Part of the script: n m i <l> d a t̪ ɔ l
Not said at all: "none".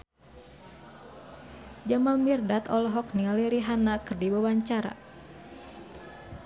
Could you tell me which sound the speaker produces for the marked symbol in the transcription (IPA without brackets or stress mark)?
r